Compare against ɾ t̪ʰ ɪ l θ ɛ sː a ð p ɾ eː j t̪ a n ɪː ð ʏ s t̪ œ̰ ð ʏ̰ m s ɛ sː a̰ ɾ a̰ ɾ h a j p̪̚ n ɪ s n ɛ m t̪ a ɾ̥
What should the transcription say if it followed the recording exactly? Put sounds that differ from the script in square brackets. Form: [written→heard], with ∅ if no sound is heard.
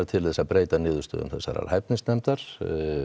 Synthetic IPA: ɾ t̪ʰ ɪ l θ ɛ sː a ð p ɾ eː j t̪ a n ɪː ð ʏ s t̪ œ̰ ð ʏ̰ m [s→θ] ɛ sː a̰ ɾ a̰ ɾ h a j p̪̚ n ɪ s n ɛ m t̪ a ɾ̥